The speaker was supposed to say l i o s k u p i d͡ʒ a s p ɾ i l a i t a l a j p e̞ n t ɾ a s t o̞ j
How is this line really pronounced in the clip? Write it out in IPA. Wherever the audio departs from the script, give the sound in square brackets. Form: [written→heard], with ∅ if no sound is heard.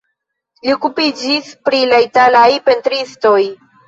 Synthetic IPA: l i o [s→∅] k u p i d͡ʒ [a→i] s p ɾ i l a i t a l a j p e̞ n t ɾ [a→i] s t o̞ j